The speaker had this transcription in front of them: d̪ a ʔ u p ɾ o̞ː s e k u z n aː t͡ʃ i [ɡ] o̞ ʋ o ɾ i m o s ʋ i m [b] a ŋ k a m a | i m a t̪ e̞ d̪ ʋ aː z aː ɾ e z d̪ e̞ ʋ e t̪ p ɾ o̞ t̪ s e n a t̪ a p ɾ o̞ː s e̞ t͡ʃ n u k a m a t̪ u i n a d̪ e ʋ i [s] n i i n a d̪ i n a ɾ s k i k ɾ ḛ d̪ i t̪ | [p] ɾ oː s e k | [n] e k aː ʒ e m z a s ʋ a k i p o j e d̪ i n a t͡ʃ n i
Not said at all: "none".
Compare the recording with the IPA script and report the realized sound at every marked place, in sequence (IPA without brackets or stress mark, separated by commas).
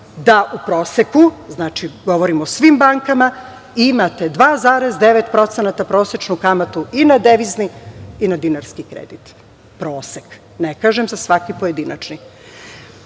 ɡ, b, z, p, n